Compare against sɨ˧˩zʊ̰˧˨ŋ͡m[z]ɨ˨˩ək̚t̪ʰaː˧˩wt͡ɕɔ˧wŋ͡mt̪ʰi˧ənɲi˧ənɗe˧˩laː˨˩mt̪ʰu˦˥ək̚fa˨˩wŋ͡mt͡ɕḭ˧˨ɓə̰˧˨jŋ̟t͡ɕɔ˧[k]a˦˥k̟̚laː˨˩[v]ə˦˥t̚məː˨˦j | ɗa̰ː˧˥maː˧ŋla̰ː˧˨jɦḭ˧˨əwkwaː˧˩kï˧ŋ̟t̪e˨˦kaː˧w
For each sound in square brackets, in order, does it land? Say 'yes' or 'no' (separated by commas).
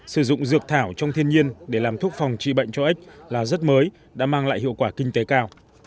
yes, no, no